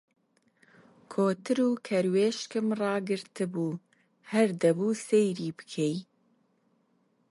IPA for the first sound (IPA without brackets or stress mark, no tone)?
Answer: kʰ